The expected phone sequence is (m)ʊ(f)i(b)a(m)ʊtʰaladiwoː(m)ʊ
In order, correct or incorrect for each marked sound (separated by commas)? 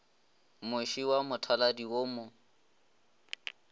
correct, incorrect, incorrect, correct, correct